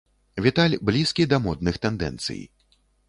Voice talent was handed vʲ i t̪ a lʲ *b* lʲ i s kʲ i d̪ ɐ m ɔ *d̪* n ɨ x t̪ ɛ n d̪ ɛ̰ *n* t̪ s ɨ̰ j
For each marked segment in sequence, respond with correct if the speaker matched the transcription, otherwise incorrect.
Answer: correct, correct, correct

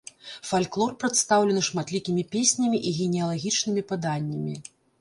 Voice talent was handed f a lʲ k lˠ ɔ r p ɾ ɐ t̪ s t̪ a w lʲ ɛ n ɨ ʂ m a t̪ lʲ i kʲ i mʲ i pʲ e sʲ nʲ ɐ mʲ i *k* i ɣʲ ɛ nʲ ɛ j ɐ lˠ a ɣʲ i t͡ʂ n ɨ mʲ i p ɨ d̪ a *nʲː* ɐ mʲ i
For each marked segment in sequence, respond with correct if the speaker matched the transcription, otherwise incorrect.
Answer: incorrect, correct

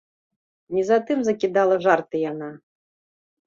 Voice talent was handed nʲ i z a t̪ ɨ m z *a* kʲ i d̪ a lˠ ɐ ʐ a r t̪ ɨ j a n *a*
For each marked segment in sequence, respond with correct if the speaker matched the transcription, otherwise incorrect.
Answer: incorrect, correct

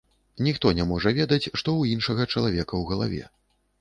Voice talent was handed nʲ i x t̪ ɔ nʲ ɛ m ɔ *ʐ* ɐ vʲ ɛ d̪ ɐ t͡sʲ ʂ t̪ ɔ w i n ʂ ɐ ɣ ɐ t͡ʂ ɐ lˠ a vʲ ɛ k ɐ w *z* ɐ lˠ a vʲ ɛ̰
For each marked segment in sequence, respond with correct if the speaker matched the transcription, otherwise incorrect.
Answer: correct, incorrect

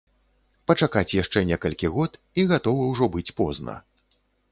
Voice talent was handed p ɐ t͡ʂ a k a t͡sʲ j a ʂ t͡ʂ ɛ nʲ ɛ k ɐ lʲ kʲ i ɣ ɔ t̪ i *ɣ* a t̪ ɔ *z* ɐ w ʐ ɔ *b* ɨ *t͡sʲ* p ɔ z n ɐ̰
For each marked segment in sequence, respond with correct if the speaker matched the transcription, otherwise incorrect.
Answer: correct, incorrect, correct, correct

